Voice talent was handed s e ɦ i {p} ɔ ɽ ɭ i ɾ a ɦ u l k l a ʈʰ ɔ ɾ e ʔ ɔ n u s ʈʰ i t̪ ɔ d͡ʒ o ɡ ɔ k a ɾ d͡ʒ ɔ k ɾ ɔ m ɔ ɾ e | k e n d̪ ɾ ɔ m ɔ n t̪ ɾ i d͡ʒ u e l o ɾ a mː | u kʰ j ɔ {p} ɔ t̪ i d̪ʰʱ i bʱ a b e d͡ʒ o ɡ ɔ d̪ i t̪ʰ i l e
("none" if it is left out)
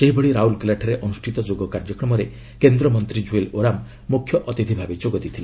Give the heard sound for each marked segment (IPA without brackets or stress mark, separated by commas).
b, ʔ